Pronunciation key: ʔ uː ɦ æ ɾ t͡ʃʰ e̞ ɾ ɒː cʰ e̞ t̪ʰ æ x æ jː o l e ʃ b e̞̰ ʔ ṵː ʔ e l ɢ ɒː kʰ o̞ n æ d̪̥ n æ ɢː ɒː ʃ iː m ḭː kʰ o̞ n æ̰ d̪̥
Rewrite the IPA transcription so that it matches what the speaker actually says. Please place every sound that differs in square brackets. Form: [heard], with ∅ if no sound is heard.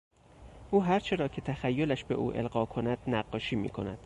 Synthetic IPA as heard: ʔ uː ɦ æ ɾ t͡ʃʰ e̞ ɾ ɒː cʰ e̞ t̪ʰ æ x æ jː o l [æ] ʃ b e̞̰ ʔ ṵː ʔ e l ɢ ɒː kʰ o̞ n æ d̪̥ n æ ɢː ɒː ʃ iː m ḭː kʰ o̞ n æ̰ d̪̥